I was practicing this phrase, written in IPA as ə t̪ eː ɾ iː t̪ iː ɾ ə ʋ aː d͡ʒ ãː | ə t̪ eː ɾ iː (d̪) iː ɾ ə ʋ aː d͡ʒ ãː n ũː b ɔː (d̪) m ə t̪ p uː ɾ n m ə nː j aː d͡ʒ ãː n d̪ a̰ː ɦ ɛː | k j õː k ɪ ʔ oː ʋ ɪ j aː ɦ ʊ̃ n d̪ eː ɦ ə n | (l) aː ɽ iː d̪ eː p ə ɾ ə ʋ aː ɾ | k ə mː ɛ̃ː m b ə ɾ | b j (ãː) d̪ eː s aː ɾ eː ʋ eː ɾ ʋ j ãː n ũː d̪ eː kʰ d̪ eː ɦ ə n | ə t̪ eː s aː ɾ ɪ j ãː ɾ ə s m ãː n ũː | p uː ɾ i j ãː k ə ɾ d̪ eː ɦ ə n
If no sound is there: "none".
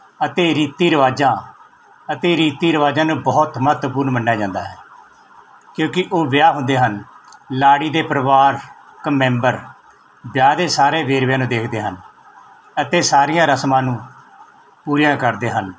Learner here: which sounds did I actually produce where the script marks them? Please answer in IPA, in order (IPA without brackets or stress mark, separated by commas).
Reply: t̪, t̪, l, aː